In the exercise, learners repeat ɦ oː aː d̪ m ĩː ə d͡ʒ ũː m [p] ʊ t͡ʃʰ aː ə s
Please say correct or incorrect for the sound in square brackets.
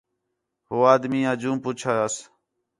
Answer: correct